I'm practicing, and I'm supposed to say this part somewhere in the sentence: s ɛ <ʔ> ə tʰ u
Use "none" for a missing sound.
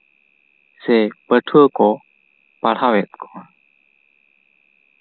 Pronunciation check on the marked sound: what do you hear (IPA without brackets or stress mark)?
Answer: p